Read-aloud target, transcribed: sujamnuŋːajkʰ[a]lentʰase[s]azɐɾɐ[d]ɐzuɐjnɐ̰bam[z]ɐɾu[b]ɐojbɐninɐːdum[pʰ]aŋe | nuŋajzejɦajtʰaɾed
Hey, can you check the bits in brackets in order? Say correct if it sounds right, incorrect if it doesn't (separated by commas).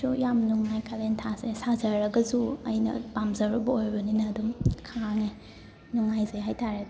correct, correct, incorrect, correct, correct, incorrect